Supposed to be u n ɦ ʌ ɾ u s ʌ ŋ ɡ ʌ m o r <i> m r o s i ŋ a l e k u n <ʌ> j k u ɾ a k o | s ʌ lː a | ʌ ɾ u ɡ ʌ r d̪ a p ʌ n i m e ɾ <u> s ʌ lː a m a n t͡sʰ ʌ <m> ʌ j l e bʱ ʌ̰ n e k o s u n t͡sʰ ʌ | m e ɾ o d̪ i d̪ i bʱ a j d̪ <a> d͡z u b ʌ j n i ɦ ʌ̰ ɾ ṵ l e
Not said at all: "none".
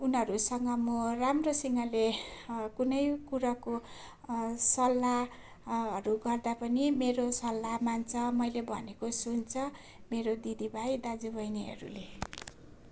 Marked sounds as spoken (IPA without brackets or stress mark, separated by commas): a, ʌ, o, m, a